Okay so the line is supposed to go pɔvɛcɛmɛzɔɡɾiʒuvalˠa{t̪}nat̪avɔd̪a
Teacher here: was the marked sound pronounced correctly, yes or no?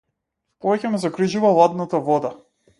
no